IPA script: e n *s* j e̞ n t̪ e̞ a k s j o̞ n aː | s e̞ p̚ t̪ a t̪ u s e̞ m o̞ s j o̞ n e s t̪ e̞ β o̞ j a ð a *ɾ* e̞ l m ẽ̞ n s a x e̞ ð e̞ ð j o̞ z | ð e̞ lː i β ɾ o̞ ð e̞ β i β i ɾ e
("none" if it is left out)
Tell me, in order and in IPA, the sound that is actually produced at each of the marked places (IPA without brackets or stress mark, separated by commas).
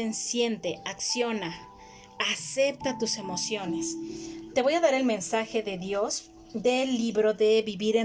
s, ɾ